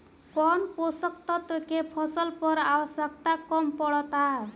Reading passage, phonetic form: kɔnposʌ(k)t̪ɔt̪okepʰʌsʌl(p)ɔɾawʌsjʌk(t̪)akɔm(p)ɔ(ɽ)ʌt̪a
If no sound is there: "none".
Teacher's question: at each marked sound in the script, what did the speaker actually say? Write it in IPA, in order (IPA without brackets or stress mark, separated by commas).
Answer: k, p, t̪, p, ɽ